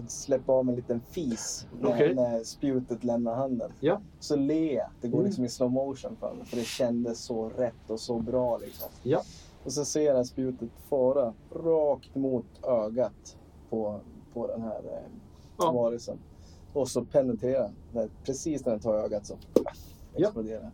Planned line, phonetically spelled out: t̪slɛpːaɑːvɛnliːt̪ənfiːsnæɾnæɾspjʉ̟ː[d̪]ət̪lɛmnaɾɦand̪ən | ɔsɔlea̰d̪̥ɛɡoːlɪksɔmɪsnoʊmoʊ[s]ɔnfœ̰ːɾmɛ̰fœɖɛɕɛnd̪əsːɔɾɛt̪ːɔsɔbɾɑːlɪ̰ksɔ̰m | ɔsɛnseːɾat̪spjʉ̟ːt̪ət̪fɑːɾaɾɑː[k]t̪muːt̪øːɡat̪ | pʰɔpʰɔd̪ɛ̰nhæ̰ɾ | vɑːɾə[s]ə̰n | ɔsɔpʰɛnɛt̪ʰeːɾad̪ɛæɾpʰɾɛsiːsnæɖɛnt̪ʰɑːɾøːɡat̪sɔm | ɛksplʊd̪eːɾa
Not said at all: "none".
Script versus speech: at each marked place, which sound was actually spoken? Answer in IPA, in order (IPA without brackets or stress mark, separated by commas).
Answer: t̪, ʂ, k, s